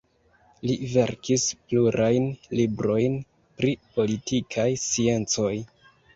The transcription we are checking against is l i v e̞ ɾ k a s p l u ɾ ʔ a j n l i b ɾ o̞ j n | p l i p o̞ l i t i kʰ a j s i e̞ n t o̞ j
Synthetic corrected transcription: l i v e̞ ɾ k i s p l u ɾ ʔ a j n l i b ɾ o̞ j n | p ɾ i p o̞ l i t i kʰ a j s i e̞ n t͡s o̞ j